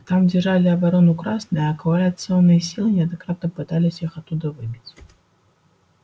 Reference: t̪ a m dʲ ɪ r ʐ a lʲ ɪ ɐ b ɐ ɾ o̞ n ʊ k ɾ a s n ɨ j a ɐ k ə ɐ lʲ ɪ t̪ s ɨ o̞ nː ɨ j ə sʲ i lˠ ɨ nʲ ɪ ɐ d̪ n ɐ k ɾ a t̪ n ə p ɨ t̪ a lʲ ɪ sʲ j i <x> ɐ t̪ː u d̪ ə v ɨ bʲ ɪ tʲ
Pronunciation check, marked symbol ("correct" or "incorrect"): correct